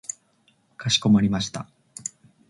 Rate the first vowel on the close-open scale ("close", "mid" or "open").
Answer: open